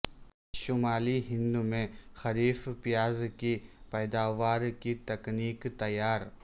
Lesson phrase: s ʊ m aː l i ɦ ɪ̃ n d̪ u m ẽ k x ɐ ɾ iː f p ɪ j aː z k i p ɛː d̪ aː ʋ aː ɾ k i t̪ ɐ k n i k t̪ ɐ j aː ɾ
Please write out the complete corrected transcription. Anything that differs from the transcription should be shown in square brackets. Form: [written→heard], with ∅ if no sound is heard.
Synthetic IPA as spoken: [s→ʃ] ʊ m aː l i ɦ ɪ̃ n d̪ u m ẽ [k→∅] x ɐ ɾ iː f p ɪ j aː z k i p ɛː d̪ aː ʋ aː ɾ k i t̪ ɐ k n [i→iː] k t̪ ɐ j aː ɾ